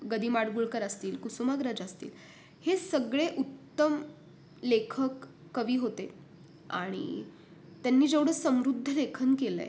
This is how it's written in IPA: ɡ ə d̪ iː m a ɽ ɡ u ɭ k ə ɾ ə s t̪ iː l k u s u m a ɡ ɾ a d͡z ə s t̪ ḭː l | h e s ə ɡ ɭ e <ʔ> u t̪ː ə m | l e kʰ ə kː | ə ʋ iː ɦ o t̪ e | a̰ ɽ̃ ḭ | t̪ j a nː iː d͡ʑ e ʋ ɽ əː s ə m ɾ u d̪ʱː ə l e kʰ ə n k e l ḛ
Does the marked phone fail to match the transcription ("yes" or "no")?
no